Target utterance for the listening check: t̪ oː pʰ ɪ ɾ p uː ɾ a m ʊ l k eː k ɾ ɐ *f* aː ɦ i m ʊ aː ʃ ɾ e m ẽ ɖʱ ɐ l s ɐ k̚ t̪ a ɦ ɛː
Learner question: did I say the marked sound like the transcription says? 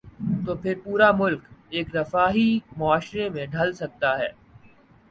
yes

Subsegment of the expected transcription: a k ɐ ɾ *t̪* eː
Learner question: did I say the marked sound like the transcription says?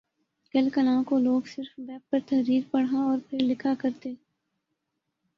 yes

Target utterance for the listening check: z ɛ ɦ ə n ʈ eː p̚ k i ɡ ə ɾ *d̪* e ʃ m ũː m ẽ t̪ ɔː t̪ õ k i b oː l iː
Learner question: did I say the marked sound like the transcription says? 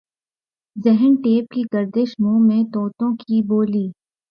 yes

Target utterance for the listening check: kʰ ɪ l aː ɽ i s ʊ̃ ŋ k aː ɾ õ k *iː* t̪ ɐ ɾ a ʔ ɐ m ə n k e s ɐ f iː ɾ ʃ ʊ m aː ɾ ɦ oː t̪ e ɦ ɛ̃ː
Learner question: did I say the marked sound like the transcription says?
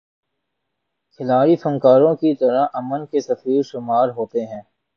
no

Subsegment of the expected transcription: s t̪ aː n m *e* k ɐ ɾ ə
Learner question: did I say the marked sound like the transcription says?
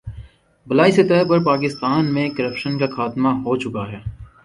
no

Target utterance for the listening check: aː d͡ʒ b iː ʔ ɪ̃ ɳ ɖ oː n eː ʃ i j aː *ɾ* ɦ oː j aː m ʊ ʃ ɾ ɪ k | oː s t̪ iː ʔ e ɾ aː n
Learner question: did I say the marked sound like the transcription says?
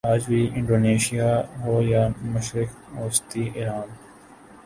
no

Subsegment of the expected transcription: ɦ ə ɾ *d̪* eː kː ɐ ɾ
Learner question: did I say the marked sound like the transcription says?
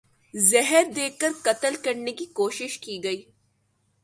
yes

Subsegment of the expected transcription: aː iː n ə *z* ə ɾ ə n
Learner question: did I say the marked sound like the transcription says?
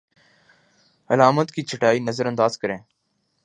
yes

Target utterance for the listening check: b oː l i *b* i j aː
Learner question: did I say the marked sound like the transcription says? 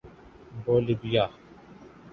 yes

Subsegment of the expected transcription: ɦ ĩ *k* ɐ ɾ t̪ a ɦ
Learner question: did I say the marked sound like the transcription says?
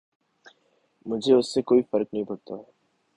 no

